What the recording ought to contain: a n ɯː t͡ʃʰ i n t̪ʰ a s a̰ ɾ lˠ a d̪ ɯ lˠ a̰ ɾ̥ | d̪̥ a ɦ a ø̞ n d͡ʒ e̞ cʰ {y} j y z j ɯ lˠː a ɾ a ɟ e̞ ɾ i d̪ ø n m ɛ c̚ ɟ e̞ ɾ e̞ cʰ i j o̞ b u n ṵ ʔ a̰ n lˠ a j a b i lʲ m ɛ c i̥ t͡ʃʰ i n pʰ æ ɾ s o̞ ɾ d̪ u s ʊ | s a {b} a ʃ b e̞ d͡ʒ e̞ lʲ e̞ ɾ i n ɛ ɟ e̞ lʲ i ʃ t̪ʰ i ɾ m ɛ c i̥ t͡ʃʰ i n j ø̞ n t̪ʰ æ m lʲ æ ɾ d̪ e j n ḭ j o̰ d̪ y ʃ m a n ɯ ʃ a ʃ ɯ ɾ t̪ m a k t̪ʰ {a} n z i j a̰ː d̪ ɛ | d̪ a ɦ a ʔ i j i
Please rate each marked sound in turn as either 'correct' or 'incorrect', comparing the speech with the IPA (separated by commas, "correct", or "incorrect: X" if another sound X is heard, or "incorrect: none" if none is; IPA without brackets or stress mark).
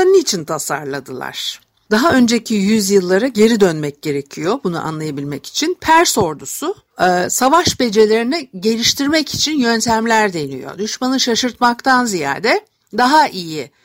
incorrect: i, incorrect: v, correct